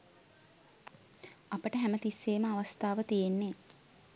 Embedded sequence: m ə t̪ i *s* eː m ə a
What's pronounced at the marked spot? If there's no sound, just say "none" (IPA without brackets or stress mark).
sː